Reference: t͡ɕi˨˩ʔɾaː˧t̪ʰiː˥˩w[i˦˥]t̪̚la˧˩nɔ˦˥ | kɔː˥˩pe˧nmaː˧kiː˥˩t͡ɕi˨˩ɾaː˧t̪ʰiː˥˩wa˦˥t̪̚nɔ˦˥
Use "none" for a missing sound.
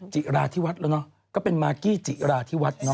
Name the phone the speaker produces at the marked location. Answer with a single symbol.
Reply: a˦˥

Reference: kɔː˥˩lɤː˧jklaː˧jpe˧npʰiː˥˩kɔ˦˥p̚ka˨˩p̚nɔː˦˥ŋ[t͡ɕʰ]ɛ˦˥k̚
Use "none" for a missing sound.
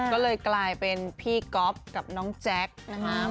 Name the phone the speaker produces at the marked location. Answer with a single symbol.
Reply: t͡ɕ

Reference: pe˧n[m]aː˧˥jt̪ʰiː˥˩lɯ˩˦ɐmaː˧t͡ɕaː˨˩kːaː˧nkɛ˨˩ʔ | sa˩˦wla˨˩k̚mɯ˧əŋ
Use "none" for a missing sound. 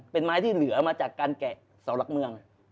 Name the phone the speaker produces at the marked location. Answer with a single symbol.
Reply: m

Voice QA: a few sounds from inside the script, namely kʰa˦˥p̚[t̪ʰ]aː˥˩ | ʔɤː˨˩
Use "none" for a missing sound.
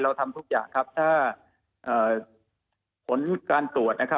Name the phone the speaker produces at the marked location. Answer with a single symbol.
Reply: t̪ʰ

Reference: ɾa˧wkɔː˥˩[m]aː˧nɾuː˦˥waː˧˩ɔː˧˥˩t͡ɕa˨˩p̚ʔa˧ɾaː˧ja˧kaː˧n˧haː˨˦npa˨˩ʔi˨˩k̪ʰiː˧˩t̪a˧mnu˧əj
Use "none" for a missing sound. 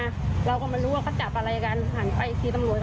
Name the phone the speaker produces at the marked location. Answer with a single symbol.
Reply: m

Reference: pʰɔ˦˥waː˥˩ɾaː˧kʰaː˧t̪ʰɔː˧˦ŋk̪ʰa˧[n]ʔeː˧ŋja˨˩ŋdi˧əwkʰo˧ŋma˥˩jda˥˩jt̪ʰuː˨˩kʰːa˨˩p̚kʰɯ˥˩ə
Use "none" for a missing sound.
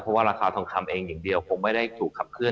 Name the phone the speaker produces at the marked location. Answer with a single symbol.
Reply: m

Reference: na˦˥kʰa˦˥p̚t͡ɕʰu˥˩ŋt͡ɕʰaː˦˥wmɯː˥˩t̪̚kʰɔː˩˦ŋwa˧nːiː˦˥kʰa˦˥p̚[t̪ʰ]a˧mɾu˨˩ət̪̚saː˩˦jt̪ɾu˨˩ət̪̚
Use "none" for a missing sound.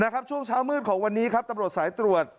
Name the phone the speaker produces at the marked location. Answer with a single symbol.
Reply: t̪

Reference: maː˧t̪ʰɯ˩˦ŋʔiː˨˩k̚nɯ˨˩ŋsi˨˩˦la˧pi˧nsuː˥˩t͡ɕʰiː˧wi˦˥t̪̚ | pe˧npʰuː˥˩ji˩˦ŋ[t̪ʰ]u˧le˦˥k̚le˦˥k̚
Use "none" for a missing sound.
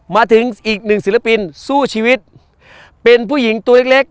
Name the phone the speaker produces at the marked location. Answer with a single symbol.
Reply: t̪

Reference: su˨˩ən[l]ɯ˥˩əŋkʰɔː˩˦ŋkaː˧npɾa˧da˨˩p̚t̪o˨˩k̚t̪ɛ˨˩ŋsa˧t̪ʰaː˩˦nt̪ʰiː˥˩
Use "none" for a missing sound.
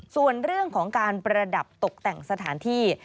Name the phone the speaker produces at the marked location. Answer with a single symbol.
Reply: ɾ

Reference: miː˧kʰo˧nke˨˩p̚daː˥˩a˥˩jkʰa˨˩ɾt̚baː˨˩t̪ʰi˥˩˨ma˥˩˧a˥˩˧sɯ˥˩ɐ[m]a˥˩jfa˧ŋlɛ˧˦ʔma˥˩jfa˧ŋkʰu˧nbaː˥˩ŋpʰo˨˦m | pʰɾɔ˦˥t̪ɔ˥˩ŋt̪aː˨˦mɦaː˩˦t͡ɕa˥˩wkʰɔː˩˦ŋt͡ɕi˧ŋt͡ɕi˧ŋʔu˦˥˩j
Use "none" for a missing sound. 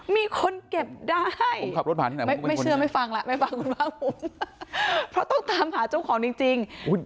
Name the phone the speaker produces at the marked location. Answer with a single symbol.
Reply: m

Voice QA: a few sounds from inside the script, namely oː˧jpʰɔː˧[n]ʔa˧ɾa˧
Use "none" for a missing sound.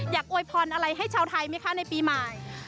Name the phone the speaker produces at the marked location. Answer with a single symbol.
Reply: n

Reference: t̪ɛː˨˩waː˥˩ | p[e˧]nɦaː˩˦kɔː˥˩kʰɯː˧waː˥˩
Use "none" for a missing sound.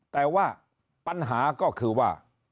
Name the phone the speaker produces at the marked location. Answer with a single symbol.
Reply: a˧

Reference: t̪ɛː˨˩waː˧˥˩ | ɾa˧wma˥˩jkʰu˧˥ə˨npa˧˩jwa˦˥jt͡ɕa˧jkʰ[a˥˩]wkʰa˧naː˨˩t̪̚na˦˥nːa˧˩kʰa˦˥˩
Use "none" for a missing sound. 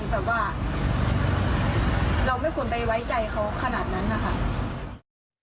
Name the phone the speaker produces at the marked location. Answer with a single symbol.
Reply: a˦˥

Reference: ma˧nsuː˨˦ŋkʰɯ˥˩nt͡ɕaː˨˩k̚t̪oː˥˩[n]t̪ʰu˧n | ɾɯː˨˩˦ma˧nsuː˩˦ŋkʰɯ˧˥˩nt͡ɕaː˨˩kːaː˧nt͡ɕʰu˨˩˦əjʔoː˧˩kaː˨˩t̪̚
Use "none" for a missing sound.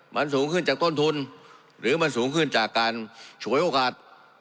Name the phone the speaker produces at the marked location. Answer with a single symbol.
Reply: n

